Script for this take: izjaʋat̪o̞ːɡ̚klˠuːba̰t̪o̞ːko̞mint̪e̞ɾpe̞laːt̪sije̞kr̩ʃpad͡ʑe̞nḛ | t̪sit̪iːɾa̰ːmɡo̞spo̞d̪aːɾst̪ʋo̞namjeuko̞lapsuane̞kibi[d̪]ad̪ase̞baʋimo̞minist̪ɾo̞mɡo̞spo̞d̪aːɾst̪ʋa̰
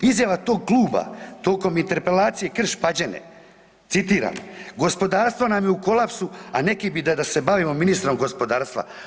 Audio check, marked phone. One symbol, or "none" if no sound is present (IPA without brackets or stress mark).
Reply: d̪